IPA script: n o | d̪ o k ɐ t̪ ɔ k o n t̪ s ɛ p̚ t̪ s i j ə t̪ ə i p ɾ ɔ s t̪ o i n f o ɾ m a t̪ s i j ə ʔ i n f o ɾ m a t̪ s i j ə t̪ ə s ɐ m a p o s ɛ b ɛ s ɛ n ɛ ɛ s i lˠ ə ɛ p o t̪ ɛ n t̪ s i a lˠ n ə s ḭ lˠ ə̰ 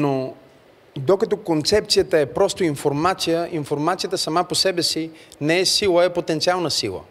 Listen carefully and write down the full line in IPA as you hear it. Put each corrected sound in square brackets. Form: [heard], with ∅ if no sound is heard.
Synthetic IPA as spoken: n o | d̪ o k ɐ t̪ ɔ k o n t̪ s ɛ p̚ t̪ s i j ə t̪ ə [ɛ] p ɾ ɔ s t̪ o i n f o ɾ m a t̪ s i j ə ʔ i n f o ɾ m a t̪ s i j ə t̪ ə s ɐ m a p o s ɛ b ɛ s [i] n ɛ ɛ s i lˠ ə ɛ p o t̪ ɛ n t̪ s i a lˠ n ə s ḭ lˠ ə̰